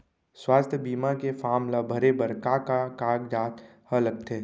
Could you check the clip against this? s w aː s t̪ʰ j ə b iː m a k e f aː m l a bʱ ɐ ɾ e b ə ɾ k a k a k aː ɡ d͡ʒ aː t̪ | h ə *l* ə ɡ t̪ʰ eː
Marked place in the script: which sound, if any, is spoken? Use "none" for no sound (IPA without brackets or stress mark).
l